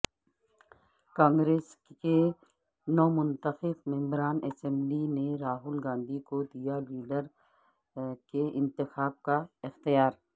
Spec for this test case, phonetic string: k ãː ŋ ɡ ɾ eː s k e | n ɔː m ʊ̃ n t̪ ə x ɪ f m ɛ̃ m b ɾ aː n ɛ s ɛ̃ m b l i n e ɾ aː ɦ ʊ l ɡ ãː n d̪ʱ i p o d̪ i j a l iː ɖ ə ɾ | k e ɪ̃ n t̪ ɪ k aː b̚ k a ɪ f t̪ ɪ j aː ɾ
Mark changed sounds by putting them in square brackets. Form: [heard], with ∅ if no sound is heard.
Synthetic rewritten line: k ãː ŋ ɡ ɾ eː s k e | n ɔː m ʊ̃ n t̪ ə x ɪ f m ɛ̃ m b ɾ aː n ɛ s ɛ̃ m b l i n e ɾ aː ɦ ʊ l ɡ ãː n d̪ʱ i [k] o d̪ i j a l iː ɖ ə ɾ | k e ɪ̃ n t̪ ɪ [x] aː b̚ k a ɪ [x] t̪ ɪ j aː ɾ